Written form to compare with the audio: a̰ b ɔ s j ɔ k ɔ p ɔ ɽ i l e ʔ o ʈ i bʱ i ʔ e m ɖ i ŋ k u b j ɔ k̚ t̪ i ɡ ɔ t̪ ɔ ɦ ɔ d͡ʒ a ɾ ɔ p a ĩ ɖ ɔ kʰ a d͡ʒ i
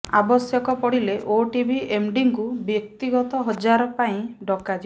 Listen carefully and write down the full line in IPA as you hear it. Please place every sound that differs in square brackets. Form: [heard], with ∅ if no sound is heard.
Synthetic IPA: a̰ b ɔ s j ɔ k ɔ p ɔ ɽ i l e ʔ o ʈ i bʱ i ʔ e m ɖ i ŋ k u b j ɔ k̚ t̪ i ɡ ɔ t̪ ɔ ɦ ɔ d͡ʒ a ɾ ɔ p a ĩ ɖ ɔ [k] a d͡ʒ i

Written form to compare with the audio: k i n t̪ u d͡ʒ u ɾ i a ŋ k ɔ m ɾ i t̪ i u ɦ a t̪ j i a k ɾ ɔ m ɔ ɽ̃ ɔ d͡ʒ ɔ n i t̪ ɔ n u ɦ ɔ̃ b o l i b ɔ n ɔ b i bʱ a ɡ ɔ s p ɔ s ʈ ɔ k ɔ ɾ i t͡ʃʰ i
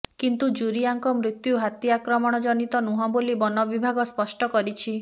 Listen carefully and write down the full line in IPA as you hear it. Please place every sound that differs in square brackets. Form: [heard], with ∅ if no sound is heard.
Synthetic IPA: k i n t̪ u d͡ʒ u ɾ i a ŋ k ɔ m ɾ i t̪ [j] u ɦ a t̪ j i a k ɾ ɔ m ɔ ɽ̃ ɔ d͡ʒ ɔ n i t̪ ɔ n u ɦ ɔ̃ b o l i b ɔ n ɔ b i bʱ a ɡ ɔ s p ɔ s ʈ ɔ k ɔ ɾ i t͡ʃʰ i

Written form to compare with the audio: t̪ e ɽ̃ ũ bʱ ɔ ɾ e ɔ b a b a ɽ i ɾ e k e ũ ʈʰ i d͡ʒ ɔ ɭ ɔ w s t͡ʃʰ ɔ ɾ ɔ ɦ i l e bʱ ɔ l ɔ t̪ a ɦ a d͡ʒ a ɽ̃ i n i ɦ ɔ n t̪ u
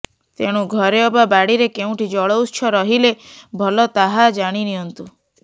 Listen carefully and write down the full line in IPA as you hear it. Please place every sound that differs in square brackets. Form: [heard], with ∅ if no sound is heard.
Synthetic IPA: t̪ e ɽ̃ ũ [ɡʱ] ɔ ɾ e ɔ b a b a ɽ i ɾ e k e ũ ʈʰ i d͡ʒ ɔ ɭ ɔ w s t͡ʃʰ ɔ ɾ ɔ ɦ i l e bʱ ɔ l ɔ t̪ a ɦ a d͡ʒ a ɽ̃ i n i ɦ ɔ n t̪ u

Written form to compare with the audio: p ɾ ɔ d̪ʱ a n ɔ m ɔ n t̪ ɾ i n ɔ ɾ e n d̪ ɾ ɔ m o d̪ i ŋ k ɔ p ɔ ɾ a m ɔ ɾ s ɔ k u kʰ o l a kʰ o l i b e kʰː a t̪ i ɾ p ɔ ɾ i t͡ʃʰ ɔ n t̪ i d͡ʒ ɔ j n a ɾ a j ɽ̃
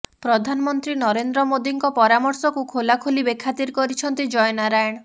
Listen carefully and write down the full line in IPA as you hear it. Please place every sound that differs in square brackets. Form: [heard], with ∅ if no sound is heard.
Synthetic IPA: p ɾ ɔ d̪ʱ a n ɔ m ɔ n t̪ ɾ i n ɔ ɾ e n d̪ ɾ ɔ m o d̪ i ŋ k ɔ p ɔ ɾ a m ɔ ɾ s ɔ k u kʰ o l a kʰ o l i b e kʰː a t̪ i ɾ [k] ɔ ɾ i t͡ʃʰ ɔ n t̪ i d͡ʒ ɔ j n a ɾ a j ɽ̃

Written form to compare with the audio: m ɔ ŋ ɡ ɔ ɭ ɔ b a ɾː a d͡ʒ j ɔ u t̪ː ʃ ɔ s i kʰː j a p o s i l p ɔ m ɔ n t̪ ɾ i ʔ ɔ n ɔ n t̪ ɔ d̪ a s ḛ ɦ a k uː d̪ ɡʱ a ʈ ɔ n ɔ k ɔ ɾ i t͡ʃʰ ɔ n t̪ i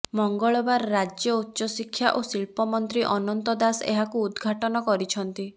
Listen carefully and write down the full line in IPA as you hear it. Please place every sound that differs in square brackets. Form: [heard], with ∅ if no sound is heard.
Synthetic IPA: m ɔ ŋ ɡ ɔ ɭ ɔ b a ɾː a d͡ʒ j ɔ u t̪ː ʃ ɔ s i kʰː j a [ʔ] o s i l p ɔ m ɔ n t̪ ɾ i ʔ ɔ n ɔ n t̪ ɔ d̪ a s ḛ ɦ a k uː d̪ ɡʱ a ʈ ɔ n ɔ k ɔ ɾ i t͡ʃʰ ɔ n t̪ i

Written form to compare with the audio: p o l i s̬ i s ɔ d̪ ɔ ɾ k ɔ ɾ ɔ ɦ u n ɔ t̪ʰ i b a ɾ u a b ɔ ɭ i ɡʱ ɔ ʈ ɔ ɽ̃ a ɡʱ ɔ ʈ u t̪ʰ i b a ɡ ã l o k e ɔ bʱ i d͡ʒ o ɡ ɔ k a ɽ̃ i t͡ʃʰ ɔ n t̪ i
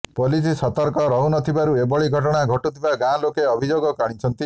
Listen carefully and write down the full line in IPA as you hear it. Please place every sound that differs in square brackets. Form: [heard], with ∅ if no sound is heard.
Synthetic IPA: p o l i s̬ i s ɔ [t̪] ɔ ɾ k ɔ ɾ ɔ ɦ u n ɔ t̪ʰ i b a ɾ u [e] b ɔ ɭ i ɡʱ ɔ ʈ ɔ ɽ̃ a ɡʱ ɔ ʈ u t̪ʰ i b a ɡ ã l o k e ɔ bʱ i d͡ʒ o ɡ ɔ k a ɽ̃ i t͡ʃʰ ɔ n t̪ i

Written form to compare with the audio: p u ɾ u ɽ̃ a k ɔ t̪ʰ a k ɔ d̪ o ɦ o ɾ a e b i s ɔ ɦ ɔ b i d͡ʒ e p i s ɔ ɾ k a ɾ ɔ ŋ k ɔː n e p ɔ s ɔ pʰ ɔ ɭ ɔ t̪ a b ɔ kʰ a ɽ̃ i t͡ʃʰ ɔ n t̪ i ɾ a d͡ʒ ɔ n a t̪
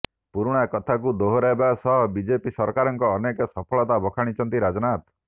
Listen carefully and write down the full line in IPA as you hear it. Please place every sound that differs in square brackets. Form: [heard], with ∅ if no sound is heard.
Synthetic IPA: p u ɾ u ɽ̃ a k ɔ t̪ʰ a k [u] d̪ o ɦ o ɾ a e b [a] s ɔ ɦ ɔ b i d͡ʒ e p i s ɔ ɾ k a ɾ ɔ ŋ k ɔː n e [k] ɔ s ɔ pʰ ɔ ɭ ɔ t̪ a b ɔ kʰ a ɽ̃ i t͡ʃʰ ɔ n t̪ i ɾ a d͡ʒ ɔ n a t̪

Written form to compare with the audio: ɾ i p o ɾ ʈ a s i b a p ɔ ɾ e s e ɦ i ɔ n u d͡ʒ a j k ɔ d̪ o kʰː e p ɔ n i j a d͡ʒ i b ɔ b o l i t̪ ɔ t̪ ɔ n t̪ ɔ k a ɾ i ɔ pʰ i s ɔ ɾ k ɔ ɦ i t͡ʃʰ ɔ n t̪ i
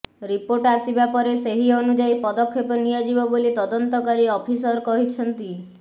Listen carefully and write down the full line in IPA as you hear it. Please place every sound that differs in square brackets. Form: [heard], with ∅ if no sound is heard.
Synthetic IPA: ɾ i p o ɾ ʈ a s i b a p ɔ ɾ e s e ɦ i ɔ n u d͡ʒ a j [p] ɔ d̪ [ɔ] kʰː e p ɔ n i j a d͡ʒ i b ɔ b o l i t̪ ɔ [d̪] ɔ n t̪ ɔ k a ɾ i ɔ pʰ i s ɔ ɾ k ɔ ɦ i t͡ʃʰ ɔ n t̪ i

